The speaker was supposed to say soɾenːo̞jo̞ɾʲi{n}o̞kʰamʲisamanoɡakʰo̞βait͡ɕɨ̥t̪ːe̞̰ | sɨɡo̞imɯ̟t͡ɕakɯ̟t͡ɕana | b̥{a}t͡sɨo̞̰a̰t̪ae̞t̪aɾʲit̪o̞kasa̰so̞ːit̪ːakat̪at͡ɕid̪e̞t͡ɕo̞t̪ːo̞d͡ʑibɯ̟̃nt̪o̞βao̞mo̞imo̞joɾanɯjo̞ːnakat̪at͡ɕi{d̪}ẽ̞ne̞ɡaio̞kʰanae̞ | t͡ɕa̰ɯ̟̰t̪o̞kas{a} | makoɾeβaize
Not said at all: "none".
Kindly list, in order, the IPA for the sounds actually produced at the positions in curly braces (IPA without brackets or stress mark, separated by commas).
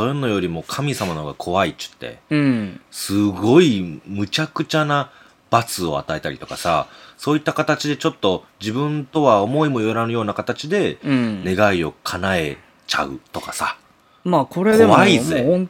m, a, d̪, a